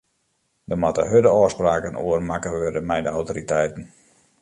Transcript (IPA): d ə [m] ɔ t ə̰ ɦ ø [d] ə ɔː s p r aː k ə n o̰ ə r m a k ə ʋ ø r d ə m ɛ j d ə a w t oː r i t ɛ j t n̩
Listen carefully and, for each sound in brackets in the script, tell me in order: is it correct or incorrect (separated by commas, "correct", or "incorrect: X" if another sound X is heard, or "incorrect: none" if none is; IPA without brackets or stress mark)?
correct, correct